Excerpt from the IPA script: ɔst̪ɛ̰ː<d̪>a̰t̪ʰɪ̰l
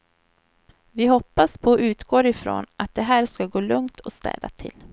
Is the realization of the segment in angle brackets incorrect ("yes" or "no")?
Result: no